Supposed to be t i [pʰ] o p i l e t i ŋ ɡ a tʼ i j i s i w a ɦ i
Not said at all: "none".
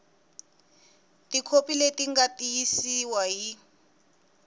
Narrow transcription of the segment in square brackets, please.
kʰ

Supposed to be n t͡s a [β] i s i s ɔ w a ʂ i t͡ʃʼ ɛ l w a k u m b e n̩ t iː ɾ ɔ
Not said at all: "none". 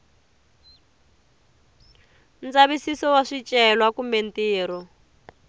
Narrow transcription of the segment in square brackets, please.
β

